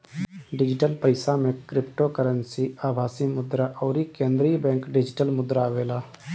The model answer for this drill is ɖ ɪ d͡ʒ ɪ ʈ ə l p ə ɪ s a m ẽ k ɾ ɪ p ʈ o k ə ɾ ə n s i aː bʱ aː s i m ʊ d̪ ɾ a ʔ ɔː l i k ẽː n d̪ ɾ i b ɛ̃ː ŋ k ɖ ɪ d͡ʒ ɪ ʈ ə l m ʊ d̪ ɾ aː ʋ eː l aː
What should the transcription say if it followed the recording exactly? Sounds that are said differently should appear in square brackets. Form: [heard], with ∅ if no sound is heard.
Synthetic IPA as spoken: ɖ ɪ d͡ʒ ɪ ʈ ə l p ə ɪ s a m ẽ k ɾ ɪ p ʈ o k ə ɾ ə n s i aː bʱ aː s i m ʊ d̪ ɾ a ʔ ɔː [ɾ] i k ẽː n d̪ ɾ i b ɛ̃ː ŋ k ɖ ɪ d͡ʒ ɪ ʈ ə l m ʊ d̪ ɾ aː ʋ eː l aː